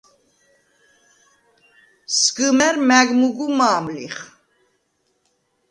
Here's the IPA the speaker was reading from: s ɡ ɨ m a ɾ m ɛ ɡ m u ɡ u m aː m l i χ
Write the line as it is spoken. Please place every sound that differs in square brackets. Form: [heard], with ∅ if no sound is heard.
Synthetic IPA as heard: s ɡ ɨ m [ɛ] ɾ m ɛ ɡ m u ɡ u m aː m l i χ